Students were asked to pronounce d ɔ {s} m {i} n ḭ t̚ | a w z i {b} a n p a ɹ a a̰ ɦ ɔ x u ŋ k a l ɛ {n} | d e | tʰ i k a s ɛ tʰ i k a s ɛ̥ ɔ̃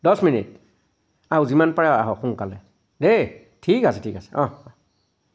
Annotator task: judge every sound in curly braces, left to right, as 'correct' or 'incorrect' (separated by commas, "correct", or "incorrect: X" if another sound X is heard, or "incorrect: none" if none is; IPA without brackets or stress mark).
correct, correct, incorrect: m, incorrect: none